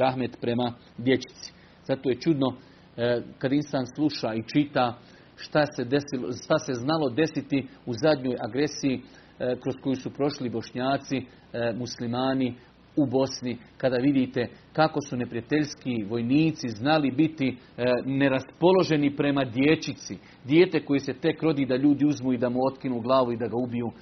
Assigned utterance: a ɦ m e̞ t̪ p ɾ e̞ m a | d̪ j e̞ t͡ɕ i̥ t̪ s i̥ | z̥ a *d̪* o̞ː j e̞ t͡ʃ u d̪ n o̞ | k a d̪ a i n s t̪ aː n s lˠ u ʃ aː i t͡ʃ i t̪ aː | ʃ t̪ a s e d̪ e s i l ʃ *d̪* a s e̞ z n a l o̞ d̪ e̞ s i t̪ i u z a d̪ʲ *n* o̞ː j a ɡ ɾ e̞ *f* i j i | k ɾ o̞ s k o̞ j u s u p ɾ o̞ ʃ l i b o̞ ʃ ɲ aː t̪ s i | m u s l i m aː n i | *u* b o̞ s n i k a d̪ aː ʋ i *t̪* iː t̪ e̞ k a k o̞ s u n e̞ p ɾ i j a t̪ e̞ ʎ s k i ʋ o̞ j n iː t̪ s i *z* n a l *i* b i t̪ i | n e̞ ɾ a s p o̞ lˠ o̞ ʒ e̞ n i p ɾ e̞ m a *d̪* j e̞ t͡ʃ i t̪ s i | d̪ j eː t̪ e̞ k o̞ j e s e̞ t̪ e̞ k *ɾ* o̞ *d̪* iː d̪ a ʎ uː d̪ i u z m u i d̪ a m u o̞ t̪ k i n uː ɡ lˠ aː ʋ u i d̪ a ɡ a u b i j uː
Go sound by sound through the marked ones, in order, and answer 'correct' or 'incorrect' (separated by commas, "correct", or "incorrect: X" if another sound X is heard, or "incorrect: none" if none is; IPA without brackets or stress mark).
incorrect: t̪, incorrect: t̪, incorrect: ɲ, incorrect: s, correct, incorrect: d̪, correct, correct, correct, correct, correct